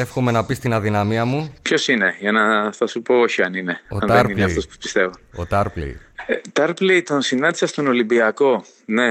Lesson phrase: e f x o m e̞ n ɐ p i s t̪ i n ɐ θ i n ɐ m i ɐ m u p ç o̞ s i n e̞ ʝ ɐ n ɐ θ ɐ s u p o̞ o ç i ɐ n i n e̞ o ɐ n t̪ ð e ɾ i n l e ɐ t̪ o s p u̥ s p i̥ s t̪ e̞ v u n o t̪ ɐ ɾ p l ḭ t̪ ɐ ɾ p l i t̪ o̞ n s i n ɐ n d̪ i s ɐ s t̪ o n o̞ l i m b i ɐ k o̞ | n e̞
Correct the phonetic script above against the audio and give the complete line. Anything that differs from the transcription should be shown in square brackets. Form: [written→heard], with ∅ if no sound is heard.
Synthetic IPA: e f x o m e̞ n ɐ p i s t̪ i n ɐ [θ→ð] i n ɐ m i ɐ m u p ç o̞ s i n e̞ ʝ ɐ n ɐ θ ɐ s u p o̞ o ç i ɐ n i n e̞ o ɐ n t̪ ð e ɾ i n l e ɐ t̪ o s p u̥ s p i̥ s t̪ e̞ v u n o t̪ ɐ ɾ p l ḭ t̪ ɐ ɾ p l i t̪ o̞ n s i n ɐ n d̪ i s ɐ s t̪ o n o̞ l i m b i ɐ k o̞ | n e̞